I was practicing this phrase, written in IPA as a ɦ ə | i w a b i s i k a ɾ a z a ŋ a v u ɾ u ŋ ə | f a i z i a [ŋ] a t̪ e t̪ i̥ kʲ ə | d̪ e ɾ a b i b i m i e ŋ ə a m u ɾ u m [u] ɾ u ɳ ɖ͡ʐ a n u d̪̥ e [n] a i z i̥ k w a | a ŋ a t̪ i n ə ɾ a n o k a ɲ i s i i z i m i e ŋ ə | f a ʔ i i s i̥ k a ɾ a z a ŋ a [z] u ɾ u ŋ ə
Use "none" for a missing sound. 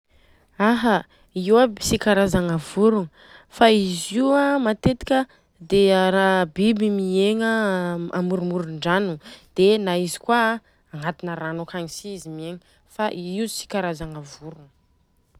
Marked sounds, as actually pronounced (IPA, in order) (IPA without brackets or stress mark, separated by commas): m, u, n, v